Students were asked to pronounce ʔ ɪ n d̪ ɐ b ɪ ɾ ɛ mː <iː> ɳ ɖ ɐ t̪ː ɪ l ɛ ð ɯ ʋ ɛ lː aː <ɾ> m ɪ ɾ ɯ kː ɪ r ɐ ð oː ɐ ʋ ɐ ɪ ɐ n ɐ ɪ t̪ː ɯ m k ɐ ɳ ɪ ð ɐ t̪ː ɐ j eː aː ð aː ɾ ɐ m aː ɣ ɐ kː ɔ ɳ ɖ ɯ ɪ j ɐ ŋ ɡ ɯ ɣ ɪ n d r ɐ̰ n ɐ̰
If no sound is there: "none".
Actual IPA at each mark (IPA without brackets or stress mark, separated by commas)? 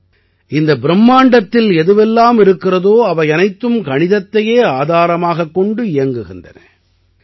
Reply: aː, none